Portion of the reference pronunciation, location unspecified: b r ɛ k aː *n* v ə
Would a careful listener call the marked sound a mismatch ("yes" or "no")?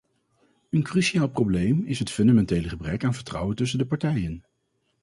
no